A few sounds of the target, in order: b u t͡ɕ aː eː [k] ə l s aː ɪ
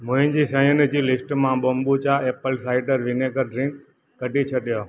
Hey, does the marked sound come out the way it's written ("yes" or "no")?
no